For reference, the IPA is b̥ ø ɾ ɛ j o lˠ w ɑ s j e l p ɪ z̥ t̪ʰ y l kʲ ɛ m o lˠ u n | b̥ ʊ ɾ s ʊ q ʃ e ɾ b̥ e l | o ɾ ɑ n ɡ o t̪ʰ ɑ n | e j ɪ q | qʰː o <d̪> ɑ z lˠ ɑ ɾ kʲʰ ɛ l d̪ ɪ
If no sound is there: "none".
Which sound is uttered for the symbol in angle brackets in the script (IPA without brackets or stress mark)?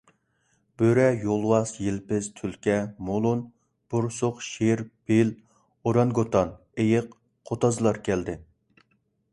t̪